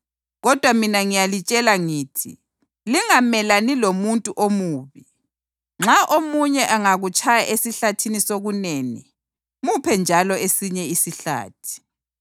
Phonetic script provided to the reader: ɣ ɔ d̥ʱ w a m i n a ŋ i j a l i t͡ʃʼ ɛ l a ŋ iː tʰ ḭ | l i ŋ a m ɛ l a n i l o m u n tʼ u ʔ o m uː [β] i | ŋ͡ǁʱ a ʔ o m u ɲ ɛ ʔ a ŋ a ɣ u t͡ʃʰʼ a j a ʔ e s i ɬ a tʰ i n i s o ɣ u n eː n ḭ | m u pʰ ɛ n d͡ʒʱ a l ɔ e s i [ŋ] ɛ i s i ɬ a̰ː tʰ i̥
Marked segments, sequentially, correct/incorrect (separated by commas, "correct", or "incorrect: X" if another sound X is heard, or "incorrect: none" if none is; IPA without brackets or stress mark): correct, incorrect: ɲ